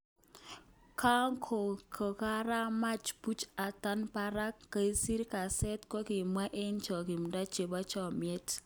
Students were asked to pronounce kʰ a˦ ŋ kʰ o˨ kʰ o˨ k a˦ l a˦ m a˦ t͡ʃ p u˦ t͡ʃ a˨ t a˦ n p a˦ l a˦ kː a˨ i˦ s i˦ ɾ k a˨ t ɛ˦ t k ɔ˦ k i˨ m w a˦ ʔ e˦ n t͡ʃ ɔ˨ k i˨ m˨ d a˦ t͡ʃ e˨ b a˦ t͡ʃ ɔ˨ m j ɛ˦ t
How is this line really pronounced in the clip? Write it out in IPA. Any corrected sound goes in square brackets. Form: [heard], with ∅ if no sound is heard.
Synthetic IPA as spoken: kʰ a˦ ŋ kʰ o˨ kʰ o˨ k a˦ [ɾ] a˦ m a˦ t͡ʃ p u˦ t͡ʃ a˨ t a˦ n p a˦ [ɾ] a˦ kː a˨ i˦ s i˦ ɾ k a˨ [s] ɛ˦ t k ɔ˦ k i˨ m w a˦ ʔ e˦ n t͡ʃ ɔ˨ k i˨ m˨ d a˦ t͡ʃ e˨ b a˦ t͡ʃ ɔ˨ m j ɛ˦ t